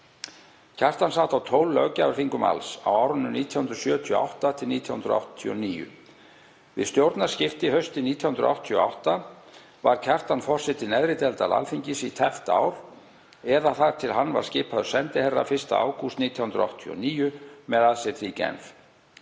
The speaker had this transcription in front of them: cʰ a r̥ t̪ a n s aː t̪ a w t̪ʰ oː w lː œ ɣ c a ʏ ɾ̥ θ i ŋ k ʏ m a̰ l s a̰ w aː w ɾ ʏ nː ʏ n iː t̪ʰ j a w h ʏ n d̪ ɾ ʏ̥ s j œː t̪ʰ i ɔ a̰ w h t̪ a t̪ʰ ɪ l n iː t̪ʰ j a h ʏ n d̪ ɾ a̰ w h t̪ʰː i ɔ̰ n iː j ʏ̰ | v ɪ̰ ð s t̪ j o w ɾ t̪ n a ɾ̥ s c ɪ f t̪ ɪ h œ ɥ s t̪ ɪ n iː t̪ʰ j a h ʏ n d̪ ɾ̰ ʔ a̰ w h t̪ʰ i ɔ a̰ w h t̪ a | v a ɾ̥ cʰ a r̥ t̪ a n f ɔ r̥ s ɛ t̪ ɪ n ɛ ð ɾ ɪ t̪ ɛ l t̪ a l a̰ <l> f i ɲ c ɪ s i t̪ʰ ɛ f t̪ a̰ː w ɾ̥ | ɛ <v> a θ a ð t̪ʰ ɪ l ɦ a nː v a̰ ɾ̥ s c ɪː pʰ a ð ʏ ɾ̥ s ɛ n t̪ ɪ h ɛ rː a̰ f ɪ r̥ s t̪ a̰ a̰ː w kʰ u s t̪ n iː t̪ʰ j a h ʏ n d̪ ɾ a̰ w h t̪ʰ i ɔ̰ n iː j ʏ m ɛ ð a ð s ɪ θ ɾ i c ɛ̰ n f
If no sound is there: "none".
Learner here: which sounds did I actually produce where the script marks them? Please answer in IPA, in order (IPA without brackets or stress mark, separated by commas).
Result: l, ð